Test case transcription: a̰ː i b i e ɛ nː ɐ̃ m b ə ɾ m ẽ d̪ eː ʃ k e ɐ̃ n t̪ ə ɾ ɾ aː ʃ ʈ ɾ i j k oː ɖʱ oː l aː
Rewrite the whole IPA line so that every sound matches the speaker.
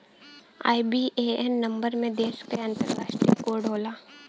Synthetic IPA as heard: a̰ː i b i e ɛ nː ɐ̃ m b ə ɾ m ẽ d̪ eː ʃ k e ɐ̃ n t̪ ə ɾ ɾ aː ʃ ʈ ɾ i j k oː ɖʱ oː l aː